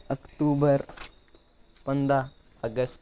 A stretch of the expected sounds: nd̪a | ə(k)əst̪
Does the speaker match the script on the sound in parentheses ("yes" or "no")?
no